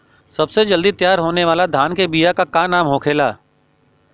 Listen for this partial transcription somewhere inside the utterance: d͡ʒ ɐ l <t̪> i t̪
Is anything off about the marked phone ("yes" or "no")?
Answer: yes